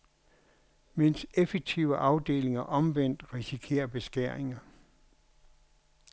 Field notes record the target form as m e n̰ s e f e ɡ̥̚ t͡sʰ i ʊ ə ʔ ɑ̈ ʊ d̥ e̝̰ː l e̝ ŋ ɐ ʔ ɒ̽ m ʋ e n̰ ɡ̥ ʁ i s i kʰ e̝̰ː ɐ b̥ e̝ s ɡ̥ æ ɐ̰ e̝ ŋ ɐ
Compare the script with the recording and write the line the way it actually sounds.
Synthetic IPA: m e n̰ s e f e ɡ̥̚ t͡sʰ i ʊ ə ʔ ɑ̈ ʊ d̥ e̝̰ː l e̝ ŋ ɐ ʔ ɒ̽ m ʋ e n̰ d̥ ʁ i s i kʰ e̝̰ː ɐ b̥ e̝ s ɡ̥ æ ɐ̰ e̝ ŋ ɐ